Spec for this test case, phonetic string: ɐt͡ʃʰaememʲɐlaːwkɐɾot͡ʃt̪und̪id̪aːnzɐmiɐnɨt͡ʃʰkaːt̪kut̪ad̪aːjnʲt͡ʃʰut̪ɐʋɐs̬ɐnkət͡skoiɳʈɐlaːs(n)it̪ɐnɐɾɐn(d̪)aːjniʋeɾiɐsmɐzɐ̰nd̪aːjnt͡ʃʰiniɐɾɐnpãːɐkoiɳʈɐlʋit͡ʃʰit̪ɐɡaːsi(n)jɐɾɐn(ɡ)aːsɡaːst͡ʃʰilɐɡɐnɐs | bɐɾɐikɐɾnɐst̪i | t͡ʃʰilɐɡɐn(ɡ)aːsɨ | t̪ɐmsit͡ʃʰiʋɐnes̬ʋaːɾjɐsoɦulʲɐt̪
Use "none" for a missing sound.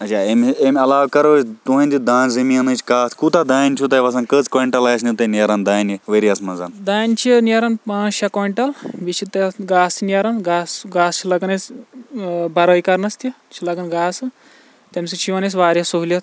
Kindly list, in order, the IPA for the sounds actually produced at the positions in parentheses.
n, d̪, n, ɡ, ɡ

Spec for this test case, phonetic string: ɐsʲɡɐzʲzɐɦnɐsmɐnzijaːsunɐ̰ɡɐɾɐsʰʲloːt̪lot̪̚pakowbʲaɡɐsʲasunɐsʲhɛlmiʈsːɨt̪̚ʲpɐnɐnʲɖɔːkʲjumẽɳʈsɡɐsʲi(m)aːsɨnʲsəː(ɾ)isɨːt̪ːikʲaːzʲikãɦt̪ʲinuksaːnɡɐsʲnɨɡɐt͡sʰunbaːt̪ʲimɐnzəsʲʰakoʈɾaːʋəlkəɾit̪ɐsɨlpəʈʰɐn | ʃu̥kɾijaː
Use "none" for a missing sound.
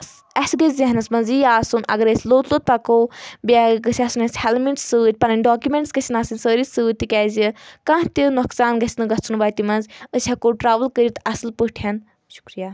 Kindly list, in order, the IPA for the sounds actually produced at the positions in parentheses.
n, ɾ

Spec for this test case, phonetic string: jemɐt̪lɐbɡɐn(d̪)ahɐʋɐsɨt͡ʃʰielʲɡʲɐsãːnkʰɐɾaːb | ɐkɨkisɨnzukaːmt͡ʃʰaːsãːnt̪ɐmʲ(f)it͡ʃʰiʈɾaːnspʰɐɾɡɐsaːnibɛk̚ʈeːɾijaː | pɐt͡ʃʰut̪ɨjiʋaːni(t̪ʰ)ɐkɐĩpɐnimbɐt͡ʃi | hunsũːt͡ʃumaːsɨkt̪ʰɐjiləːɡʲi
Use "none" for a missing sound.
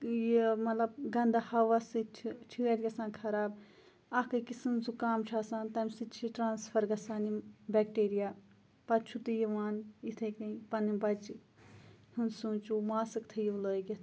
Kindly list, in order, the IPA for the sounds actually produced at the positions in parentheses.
d̪, s, t̪ʰ

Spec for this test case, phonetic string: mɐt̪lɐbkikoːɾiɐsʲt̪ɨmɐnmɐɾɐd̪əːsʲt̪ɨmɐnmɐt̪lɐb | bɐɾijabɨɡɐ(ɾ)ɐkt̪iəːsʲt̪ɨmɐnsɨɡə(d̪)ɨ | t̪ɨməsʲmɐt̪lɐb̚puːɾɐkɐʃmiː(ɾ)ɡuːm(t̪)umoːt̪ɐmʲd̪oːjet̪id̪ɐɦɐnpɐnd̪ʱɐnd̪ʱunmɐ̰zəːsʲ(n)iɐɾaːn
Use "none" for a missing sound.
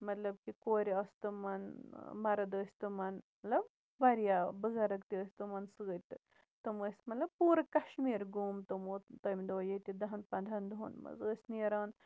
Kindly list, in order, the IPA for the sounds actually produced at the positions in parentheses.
ɾ, t̪, ɾ, t̪, n

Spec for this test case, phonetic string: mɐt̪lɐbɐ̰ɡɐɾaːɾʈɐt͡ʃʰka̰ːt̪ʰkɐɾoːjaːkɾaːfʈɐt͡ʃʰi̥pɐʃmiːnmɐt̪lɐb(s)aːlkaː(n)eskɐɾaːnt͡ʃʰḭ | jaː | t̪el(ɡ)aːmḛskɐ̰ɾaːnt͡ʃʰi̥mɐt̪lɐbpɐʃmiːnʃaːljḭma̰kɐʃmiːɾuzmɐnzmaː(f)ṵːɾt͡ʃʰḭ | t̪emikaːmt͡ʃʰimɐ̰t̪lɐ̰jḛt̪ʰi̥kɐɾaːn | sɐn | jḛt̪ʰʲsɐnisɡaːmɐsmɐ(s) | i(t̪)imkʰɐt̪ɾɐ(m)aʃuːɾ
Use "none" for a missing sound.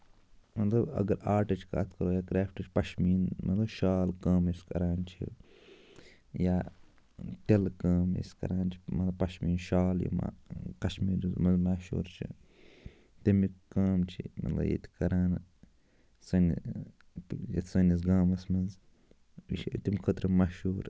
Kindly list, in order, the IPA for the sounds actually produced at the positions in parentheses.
ʃ, m, k, ʃ, z, t̪, m

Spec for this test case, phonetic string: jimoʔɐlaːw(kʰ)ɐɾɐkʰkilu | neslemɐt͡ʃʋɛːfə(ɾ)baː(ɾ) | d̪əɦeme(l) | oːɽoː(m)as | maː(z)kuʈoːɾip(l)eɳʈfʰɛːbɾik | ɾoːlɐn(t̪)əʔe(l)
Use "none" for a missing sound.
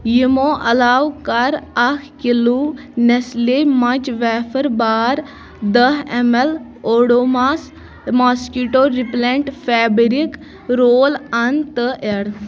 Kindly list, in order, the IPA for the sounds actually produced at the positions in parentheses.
k, ɾ, ɾ, l, m, s, l, t̪, ɽ

